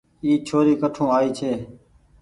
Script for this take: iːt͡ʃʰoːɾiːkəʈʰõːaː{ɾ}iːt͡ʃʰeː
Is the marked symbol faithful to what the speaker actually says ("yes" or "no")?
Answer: no